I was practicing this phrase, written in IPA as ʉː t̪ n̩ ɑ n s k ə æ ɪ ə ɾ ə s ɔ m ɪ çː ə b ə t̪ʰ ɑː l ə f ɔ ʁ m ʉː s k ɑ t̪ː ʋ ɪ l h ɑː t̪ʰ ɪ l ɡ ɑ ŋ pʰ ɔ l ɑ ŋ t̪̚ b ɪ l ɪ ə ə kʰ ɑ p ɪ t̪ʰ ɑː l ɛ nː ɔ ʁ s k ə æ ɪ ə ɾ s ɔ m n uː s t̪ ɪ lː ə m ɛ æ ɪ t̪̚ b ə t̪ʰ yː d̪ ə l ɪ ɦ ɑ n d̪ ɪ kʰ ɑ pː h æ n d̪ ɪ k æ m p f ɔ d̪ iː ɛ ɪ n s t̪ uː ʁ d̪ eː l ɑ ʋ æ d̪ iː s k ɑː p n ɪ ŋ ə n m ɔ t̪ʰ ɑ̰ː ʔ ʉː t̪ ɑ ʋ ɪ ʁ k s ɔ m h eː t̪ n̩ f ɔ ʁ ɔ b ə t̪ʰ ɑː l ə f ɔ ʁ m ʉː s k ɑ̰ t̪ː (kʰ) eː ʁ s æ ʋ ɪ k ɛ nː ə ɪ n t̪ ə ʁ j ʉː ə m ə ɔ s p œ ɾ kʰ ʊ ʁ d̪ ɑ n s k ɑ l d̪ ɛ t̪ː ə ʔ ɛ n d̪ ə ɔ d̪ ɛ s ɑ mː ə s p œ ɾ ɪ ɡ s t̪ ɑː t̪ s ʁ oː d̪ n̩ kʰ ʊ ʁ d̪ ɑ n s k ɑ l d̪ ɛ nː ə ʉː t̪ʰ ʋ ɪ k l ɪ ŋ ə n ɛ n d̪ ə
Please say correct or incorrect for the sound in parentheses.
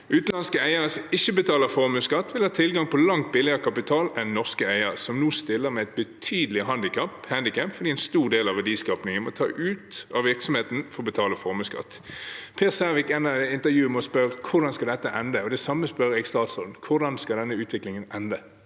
incorrect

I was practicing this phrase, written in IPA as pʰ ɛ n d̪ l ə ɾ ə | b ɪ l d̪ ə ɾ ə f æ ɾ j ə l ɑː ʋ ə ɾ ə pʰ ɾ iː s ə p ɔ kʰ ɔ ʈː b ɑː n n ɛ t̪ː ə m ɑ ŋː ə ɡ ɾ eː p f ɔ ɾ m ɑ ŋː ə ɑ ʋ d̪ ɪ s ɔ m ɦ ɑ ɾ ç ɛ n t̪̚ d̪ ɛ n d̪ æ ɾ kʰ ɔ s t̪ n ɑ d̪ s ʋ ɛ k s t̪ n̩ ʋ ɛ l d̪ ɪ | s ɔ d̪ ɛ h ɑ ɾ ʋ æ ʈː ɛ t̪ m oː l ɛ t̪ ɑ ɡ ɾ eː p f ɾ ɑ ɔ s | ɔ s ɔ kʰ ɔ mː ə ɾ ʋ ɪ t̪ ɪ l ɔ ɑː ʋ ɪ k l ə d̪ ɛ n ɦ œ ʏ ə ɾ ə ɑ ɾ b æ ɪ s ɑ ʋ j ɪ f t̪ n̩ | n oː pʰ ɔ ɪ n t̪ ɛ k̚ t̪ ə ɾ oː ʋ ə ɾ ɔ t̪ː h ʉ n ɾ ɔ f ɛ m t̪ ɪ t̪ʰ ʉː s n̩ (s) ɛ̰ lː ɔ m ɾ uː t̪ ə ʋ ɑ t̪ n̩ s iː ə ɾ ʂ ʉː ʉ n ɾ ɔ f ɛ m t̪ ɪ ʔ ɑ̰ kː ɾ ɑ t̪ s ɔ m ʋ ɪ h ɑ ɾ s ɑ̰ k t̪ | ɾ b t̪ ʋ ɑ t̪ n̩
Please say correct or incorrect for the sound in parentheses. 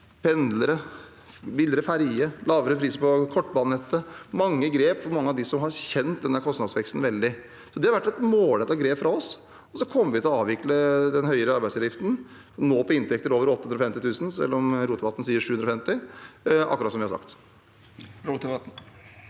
correct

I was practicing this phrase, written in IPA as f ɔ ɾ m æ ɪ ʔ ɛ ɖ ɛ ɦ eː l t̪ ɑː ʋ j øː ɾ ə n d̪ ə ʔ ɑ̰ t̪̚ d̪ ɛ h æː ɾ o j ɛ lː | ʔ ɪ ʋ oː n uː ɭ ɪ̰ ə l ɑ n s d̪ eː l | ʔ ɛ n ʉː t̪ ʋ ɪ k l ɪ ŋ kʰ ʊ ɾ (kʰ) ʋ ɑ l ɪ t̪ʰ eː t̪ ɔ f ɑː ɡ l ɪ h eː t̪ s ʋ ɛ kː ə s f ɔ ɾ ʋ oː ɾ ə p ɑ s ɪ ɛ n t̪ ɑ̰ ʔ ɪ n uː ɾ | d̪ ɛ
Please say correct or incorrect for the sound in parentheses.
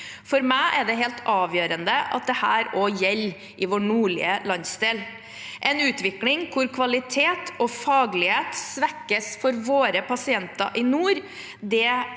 correct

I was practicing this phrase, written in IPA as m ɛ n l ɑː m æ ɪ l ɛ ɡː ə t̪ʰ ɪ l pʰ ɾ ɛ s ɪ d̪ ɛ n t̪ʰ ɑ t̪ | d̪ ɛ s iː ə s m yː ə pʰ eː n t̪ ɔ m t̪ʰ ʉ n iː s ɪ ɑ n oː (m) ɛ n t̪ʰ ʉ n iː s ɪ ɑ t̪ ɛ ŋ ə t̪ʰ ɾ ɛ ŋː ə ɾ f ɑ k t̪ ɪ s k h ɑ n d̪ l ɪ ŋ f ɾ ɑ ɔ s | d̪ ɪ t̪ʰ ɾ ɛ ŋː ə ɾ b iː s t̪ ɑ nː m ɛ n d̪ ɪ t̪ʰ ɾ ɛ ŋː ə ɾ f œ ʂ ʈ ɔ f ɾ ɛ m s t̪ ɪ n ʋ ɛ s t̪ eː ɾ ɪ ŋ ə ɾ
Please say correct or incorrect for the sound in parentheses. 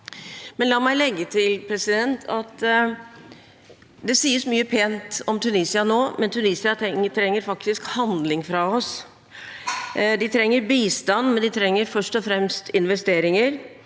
correct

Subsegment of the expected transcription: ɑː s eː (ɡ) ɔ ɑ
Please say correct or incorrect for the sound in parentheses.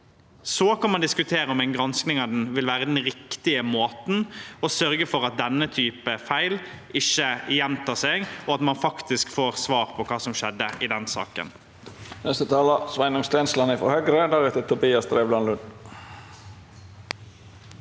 correct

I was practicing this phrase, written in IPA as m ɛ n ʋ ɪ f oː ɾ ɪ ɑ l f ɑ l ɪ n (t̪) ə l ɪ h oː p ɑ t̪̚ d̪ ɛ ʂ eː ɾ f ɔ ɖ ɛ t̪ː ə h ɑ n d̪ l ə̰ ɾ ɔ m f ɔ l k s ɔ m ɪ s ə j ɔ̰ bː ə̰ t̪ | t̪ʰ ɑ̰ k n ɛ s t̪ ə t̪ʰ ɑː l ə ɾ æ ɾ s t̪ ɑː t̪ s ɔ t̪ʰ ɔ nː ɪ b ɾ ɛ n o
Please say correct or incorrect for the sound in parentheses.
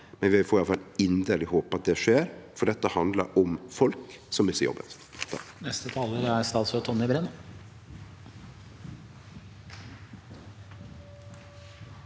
incorrect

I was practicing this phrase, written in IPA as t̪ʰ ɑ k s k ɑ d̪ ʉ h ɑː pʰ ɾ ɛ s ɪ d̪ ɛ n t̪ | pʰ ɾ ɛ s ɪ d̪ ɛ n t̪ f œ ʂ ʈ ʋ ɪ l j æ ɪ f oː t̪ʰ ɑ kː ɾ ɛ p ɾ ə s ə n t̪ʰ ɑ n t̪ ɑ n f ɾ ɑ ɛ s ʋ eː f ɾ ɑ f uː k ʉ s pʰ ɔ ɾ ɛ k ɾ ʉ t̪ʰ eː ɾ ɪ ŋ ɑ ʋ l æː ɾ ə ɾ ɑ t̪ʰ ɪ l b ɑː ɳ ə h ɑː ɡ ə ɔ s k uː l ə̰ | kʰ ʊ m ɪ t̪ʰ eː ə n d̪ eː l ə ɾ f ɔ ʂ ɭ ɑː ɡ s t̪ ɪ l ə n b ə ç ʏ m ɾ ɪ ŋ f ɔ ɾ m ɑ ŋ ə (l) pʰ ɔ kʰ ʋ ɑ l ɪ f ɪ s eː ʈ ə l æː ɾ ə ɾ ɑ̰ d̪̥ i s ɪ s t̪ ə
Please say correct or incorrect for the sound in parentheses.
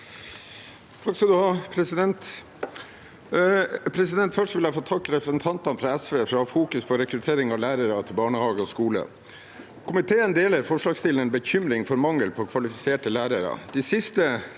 correct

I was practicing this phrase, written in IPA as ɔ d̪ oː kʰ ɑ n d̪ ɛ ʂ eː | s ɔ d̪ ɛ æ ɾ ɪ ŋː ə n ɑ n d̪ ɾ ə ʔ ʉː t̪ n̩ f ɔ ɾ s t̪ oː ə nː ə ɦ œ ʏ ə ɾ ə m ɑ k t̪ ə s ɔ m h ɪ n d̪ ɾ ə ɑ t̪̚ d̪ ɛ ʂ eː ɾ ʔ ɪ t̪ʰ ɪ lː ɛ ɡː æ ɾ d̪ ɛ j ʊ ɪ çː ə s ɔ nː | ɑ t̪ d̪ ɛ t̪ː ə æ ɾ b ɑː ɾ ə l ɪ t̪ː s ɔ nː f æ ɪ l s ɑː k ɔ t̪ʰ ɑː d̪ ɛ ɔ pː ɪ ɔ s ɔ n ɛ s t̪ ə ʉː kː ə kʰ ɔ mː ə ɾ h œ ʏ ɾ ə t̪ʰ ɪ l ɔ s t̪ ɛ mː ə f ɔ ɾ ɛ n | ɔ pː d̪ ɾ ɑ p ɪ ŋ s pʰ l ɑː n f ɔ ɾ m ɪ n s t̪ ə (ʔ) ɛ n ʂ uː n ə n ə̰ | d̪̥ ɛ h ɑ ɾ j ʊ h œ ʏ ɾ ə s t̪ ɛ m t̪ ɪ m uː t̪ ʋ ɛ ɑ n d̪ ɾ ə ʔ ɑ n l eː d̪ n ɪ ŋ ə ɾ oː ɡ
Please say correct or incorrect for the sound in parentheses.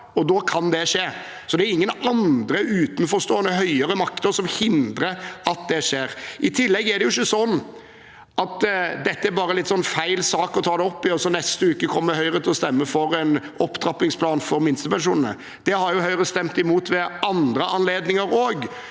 incorrect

